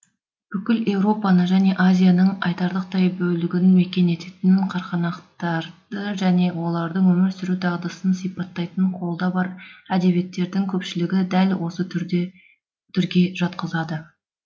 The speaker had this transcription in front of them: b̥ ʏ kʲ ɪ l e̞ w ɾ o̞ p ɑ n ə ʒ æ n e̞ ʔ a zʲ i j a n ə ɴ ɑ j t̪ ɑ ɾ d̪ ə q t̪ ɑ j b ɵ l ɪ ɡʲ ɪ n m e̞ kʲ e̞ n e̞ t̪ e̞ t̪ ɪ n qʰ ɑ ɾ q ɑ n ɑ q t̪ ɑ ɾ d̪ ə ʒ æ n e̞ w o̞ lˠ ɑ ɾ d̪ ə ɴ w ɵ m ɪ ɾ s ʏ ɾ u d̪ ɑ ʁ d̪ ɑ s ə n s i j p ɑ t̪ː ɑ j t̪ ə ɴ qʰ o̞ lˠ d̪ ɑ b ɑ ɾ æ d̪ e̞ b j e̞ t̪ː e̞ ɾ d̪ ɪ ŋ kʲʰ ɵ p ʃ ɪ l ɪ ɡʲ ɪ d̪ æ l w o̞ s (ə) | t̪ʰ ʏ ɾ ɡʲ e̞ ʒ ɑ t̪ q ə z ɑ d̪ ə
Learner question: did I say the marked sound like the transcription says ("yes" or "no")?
yes